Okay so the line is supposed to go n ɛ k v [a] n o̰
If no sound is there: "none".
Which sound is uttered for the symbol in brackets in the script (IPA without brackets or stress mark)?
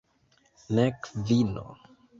i